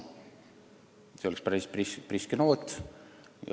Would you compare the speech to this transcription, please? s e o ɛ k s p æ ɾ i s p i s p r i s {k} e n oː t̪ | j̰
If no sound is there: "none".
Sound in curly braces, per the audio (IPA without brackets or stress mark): k